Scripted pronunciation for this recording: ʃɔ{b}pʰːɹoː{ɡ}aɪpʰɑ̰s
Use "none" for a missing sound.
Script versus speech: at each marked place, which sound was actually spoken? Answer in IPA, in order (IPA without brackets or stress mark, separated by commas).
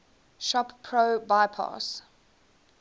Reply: p, b